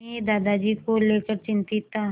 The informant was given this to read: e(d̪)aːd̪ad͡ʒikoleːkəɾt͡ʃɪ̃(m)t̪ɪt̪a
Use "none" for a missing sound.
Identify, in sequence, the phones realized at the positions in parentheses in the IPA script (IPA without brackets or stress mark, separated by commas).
d̪, n